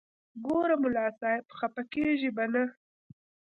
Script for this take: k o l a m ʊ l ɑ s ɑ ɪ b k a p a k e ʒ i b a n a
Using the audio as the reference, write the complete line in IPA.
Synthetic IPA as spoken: ɡ o ɾ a m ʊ l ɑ s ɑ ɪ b x a p a k e ʒ i b a n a